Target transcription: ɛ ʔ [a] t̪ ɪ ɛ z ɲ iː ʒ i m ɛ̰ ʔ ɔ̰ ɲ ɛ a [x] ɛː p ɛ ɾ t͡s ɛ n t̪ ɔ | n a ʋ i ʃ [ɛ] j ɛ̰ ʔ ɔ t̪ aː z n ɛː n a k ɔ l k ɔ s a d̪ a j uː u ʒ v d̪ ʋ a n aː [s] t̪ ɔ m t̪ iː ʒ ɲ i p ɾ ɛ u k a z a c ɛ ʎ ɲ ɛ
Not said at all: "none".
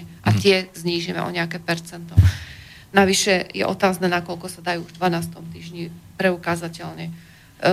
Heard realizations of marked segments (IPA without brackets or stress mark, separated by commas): a, k, ɛ, s